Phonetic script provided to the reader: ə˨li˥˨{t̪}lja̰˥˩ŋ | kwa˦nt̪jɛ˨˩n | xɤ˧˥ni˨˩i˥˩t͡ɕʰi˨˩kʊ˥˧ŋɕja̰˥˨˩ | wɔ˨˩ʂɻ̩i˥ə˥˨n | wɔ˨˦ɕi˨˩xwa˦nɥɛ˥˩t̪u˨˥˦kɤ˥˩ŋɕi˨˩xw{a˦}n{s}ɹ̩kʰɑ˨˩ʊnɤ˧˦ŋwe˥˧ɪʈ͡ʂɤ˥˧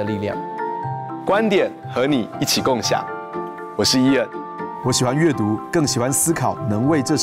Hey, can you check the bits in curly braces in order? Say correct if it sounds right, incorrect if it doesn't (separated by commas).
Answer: incorrect, correct, correct